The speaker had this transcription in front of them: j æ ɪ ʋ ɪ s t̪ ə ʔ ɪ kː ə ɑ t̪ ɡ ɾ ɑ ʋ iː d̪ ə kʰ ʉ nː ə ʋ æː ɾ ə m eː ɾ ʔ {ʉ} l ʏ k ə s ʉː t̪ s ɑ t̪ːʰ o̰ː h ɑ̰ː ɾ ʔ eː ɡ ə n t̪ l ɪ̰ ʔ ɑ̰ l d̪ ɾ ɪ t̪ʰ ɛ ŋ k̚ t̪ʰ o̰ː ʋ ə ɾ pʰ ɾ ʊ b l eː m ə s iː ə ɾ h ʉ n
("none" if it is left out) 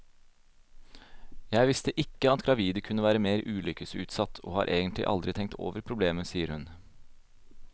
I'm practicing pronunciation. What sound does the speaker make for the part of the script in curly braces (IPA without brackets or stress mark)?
ʉː